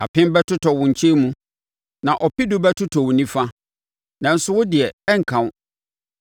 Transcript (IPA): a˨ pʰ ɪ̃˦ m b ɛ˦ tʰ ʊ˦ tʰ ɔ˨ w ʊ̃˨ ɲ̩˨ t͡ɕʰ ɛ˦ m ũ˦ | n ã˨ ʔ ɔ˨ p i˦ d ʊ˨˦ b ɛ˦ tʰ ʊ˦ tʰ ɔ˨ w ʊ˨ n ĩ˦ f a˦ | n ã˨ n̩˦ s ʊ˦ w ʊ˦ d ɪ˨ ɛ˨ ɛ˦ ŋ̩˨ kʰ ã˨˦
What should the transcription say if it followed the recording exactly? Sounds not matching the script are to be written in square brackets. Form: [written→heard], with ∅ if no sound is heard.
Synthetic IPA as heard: a˨ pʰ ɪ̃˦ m b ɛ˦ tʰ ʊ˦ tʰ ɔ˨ w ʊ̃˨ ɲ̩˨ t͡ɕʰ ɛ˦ m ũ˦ | n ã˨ ʔ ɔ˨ p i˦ d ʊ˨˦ b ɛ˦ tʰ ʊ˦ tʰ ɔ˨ w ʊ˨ n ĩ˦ f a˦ | n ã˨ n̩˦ s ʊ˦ w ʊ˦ d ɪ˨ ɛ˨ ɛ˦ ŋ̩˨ kʰ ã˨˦